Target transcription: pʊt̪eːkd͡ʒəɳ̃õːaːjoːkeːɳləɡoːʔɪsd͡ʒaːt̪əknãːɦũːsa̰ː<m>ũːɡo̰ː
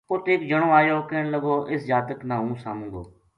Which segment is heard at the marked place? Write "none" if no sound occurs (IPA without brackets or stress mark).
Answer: m